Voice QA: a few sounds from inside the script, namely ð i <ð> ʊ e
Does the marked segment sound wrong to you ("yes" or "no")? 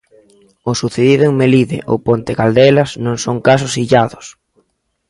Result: no